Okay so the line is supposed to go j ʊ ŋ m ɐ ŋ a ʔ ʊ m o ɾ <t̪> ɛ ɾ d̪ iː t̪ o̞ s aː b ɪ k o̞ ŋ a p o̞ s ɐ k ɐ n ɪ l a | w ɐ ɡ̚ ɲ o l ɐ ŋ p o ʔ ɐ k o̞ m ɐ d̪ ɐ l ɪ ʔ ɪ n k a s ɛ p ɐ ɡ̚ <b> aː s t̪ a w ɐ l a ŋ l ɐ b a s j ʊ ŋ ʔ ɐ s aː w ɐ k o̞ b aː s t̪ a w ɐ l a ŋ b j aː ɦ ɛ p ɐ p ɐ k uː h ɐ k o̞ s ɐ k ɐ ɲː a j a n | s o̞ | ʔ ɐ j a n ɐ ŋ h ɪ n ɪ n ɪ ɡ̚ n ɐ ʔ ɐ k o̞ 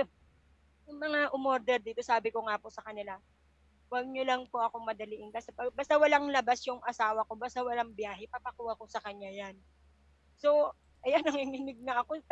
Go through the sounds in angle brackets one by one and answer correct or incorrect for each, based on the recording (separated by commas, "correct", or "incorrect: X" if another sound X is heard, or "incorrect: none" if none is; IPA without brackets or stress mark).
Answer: incorrect: d̪, correct